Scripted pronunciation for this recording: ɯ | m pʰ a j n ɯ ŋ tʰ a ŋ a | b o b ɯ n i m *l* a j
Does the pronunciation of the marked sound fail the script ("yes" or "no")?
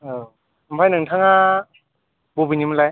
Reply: no